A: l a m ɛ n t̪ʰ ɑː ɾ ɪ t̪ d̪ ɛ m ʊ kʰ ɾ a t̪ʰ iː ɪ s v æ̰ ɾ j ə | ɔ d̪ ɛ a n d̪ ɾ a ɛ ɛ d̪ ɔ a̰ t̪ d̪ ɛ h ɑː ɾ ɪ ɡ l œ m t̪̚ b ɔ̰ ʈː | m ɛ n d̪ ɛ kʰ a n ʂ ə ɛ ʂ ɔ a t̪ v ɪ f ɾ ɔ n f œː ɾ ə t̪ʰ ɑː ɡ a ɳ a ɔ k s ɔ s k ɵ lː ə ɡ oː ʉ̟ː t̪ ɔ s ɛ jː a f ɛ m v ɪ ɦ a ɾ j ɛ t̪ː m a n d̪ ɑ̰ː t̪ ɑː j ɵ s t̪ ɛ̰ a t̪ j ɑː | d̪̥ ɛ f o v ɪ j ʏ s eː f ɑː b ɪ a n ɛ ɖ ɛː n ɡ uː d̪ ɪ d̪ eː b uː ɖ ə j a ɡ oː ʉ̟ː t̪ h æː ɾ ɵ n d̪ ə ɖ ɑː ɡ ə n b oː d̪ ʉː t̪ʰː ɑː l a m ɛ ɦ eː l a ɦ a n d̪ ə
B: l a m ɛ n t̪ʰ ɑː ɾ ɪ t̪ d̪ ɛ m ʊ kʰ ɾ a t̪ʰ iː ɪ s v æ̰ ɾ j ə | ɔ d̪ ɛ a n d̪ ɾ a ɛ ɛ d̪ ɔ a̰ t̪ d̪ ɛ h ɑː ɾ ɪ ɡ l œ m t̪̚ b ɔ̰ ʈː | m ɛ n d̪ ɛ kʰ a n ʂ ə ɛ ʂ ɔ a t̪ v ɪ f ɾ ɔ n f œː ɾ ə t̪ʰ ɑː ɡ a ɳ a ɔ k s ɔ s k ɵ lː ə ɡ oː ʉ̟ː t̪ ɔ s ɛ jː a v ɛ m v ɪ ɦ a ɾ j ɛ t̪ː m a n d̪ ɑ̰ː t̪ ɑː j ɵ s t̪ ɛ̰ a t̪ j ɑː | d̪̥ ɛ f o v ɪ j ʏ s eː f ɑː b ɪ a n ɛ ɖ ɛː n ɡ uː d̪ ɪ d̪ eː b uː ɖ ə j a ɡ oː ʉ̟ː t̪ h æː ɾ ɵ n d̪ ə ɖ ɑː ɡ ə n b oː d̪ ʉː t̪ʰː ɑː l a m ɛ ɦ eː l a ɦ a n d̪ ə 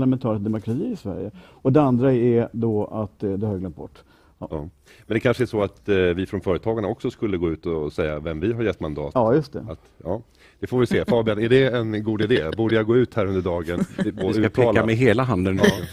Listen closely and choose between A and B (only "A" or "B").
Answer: B